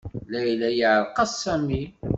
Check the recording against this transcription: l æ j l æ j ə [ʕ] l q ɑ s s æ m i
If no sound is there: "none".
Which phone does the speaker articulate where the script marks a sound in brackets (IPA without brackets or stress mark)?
ʕ